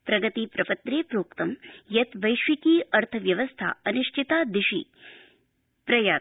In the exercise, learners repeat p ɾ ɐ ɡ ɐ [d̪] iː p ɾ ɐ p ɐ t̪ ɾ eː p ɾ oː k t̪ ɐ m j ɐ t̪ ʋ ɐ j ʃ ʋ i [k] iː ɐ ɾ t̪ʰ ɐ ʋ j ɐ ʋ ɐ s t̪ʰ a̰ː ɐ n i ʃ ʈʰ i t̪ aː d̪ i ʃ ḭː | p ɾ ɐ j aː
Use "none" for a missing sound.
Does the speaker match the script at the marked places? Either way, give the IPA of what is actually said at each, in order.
t̪, k

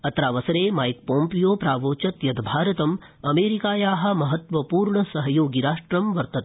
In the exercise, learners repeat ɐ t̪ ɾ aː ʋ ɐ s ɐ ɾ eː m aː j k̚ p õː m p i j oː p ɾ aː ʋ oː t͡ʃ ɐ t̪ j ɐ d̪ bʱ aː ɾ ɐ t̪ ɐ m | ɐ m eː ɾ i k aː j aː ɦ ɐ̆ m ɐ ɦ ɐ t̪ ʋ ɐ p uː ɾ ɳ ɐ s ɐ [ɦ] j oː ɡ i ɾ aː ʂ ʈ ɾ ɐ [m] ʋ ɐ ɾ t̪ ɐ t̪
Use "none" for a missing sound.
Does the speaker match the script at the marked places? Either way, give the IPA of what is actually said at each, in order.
ɦ, m

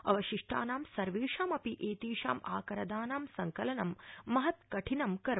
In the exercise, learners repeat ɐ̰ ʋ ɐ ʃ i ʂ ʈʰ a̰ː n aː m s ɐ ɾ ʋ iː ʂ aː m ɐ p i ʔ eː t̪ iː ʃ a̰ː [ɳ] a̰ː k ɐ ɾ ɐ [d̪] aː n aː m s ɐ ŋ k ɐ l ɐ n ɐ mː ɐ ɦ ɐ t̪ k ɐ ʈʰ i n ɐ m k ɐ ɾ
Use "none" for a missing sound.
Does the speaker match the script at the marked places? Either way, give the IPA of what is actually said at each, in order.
m, d̪

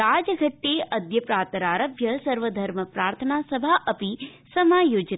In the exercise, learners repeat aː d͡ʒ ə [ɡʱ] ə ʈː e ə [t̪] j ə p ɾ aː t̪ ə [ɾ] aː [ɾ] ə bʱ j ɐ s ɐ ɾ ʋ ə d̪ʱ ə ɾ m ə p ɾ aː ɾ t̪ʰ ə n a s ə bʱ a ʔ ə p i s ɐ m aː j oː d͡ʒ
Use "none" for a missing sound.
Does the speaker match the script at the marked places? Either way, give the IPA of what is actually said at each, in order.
ɡʱ, d̪, ɾ, ɾ

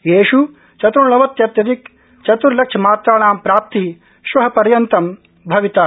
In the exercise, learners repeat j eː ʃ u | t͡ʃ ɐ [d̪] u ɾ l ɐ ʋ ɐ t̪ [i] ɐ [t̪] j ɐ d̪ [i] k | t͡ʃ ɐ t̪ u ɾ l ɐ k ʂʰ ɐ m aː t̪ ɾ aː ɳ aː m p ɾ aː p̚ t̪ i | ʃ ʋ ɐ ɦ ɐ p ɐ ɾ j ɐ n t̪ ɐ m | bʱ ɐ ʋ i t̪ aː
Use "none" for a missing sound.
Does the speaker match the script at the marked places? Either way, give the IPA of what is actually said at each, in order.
t̪, j, t̪, i

